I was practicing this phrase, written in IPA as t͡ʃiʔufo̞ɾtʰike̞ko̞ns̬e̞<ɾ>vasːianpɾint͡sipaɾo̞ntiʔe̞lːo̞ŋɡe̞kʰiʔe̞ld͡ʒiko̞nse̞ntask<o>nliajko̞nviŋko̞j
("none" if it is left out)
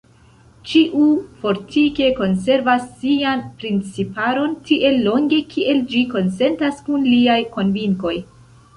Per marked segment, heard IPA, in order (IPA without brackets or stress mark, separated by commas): ɾ, u